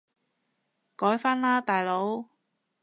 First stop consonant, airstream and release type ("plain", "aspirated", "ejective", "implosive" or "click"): plain